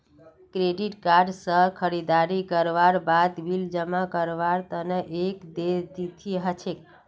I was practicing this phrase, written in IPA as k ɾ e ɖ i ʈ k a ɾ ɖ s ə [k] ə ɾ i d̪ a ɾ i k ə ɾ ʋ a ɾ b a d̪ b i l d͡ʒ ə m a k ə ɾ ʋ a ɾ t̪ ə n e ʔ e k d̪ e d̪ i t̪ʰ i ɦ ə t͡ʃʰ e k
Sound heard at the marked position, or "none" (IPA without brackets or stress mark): kʰ